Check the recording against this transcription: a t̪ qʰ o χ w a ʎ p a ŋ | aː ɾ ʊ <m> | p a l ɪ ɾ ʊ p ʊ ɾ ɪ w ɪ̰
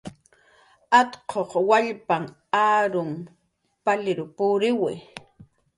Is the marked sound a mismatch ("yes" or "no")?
no